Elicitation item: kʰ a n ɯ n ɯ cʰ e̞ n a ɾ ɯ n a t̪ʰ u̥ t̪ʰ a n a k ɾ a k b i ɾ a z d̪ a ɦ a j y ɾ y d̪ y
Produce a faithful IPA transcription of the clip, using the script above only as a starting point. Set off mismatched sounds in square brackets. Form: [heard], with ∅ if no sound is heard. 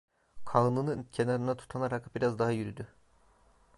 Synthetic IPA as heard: kʰ a n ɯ n ɯ cʰ e̞ n a ɾ ɯ n a t̪ʰ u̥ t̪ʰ a n a [∅] ɾ a k b i ɾ a z d̪ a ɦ a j y ɾ y d̪ y